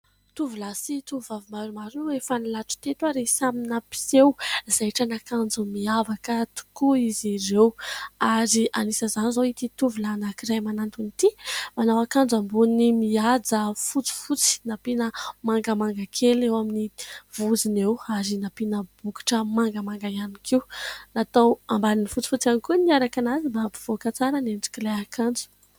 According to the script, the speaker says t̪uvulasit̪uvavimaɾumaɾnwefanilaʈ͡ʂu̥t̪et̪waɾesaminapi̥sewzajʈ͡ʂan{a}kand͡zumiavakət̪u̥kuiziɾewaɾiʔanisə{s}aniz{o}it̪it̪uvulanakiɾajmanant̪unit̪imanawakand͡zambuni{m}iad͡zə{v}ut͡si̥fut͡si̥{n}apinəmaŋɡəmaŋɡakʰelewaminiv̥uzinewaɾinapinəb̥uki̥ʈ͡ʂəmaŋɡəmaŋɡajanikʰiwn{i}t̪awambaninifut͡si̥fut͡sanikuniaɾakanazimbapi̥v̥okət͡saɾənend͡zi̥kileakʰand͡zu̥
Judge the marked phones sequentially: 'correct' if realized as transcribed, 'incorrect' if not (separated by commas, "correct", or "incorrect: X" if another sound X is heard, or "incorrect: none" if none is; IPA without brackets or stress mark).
correct, incorrect: z, correct, correct, incorrect: f, correct, incorrect: a